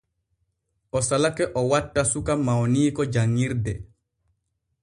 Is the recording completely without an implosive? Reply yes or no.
yes